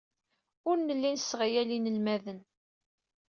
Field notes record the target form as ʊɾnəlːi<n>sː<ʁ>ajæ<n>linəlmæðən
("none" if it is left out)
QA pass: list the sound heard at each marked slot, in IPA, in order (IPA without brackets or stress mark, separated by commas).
n, ʁ, none